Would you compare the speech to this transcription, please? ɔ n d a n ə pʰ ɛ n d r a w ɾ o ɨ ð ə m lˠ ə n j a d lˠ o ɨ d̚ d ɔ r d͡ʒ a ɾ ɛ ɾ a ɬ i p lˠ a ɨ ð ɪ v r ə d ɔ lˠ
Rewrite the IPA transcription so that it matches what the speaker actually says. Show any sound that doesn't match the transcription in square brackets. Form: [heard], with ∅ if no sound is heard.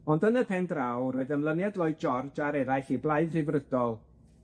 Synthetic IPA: ɔ n d [ə] n ə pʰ ɛ n d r a w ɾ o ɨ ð ə m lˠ ə n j a d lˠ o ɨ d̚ [d͡ʒ] ɔ r d͡ʒ a ɾ ɛ ɾ a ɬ i [b] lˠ a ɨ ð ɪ v r ə d ɔ lˠ

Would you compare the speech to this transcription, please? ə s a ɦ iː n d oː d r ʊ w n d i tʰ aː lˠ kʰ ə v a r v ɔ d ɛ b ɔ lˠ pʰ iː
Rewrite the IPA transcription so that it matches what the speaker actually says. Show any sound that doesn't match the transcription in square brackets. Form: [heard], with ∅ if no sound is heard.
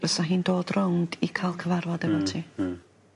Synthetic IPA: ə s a ɦ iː n d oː d r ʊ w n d i [kʰ] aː lˠ kʰ ə v a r v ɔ d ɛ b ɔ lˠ [tʰ] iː

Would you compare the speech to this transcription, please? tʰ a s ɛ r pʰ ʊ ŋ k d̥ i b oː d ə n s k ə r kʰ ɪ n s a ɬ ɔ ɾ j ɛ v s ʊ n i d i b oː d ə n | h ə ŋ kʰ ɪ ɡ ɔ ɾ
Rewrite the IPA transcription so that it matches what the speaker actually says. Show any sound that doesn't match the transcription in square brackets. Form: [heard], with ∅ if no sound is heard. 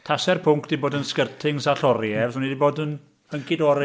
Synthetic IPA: tʰ a s ɛ r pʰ ʊ ŋ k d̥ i b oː d ə n s k ə r [tʰ] ɪ [ŋ] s a ɬ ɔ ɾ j ɛ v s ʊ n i d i b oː d ə n | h ə ŋ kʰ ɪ [d] ɔ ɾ

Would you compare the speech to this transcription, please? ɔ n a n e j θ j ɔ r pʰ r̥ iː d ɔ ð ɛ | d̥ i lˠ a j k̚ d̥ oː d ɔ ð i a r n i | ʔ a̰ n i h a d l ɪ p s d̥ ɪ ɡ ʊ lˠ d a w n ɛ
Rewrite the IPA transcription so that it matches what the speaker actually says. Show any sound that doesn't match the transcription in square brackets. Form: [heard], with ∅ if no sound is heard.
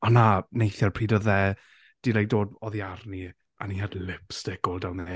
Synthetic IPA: ɔ n a n e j θ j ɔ r pʰ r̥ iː d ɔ ð ɛ | d̥ i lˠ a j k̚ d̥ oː d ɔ ð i a r n i | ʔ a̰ n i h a d l ɪ p s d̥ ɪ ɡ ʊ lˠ d a w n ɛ

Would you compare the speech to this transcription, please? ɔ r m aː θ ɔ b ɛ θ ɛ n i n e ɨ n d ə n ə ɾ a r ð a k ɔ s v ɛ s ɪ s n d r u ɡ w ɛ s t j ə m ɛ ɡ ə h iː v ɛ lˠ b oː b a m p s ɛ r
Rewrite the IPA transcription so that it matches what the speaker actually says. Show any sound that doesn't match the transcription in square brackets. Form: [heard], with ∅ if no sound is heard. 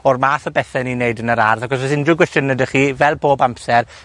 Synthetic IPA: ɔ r m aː θ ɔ b ɛ θ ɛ n i n e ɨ [∅] d ə n ə ɾ a r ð a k ɔ s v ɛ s ɪ [∅] n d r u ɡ w ɛ s t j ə [n] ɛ [d] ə [χ] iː v ɛ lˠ b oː b a m p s ɛ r

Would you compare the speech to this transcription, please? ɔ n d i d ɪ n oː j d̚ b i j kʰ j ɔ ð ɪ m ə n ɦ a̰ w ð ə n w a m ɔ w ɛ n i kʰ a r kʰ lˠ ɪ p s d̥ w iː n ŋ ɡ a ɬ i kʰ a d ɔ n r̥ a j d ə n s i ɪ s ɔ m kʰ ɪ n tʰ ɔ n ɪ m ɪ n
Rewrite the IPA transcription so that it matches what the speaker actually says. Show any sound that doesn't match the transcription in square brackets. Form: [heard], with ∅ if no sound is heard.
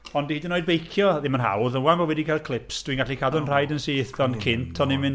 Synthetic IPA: ɔ n d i d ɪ n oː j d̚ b [e] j kʰ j ɔ ð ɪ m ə n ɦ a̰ w ð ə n w a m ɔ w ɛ [d] i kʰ a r kʰ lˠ ɪ p s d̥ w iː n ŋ ɡ a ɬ i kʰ a d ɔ n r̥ a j d ə n s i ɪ [θ] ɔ [n] kʰ ɪ n tʰ ɔ n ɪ m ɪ n

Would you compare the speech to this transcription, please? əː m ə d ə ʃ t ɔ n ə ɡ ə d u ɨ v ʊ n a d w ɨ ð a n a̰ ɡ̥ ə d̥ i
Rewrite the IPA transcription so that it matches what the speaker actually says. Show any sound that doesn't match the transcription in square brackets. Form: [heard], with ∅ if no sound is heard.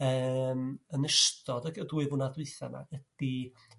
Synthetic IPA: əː m ə [n] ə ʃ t ɔ [d] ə ɡ ə d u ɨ v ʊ n a d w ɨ [θ] a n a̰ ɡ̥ ə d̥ i

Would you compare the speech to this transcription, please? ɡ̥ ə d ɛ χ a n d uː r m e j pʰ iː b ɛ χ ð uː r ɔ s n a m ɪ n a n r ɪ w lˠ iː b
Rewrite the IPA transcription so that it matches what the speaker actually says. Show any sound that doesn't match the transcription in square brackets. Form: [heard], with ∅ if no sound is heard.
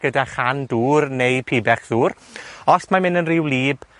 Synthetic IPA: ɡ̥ ə d [a] χ a n d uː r [n] e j pʰ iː b ɛ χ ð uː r ɔ s [m] a m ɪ n [ə] n r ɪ w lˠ iː b

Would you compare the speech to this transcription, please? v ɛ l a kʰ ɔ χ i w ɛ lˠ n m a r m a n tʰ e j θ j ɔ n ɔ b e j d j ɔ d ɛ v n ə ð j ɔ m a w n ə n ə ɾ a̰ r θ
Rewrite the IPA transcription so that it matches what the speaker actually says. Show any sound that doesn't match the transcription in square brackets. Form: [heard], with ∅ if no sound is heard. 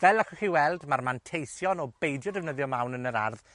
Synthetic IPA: v ɛ l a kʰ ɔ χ i w ɛ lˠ [d] m a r m a n tʰ e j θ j ɔ n ɔ b e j d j ɔ d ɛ v n ə ð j ɔ m a w n ə n ə ɾ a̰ r [ð]

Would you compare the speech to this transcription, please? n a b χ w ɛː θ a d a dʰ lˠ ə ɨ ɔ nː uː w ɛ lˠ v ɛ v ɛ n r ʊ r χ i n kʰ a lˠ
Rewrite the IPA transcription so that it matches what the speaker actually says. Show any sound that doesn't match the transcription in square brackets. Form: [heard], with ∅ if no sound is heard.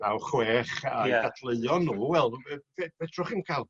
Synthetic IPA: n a [w] χ w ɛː [χ] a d a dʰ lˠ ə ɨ ɔ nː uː w ɛ lˠ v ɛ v ɛ [d] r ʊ [∅] χ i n kʰ a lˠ

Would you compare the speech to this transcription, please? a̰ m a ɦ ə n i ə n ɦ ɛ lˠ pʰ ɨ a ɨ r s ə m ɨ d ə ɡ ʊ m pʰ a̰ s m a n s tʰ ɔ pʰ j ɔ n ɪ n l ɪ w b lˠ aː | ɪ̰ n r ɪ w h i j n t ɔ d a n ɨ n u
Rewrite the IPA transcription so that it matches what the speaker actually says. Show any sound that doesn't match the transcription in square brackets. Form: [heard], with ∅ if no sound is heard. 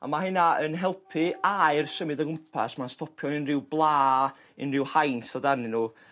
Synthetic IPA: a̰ m a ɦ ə n [a] ə n ɦ ɛ lˠ pʰ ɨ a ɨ r s ə m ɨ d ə ɡ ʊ m pʰ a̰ s m a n s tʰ ɔ pʰ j ɔ n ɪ n [r] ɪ w b lˠ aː | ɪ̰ n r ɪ w h [a] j n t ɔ d a n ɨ n u

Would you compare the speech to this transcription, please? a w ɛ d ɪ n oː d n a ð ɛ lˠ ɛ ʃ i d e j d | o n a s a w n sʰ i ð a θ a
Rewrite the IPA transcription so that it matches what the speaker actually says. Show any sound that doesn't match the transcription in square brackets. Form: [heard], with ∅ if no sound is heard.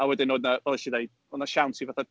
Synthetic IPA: a w ɛ d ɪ n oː d n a [v] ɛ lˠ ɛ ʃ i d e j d | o n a [ʃ] a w n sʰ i [v] a θ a

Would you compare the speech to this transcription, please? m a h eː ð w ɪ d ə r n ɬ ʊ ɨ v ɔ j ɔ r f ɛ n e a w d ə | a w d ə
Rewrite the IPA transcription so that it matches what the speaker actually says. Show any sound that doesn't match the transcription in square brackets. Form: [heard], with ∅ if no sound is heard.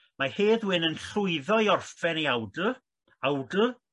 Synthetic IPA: m a h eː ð w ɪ [n] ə [∅] n ɬ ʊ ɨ [ð] ɔ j ɔ r f ɛ n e a w d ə | a w d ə

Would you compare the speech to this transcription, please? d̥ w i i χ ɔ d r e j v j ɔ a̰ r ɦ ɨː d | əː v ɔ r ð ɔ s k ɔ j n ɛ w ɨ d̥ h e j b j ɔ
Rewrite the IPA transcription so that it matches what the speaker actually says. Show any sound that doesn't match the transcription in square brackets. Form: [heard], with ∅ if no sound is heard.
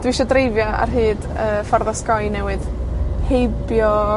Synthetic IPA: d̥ w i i [ʃ] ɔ d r e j v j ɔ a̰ r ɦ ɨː d | əː [f] ɔ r ð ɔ s k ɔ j n ɛ w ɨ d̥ h e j b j ɔ

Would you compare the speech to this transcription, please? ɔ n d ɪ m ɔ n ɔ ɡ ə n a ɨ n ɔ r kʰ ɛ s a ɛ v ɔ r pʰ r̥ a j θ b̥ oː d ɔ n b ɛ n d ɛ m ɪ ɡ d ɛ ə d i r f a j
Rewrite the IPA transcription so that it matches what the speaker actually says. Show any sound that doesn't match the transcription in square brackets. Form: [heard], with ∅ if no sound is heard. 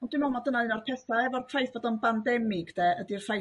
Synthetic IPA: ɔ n d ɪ m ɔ [m] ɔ [d] ə n a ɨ n ɔ r [pʰ] ɛ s a ɛ v ɔ r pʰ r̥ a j θ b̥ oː d ɔ n b [a] n d ɛ m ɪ ɡ d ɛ ə d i r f a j

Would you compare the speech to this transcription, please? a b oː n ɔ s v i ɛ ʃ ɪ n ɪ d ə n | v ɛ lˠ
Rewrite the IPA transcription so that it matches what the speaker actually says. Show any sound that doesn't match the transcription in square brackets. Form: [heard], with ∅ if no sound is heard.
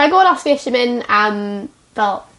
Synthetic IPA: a [ɡ] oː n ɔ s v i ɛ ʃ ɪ [m] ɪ [n] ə [m] | v ɛ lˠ

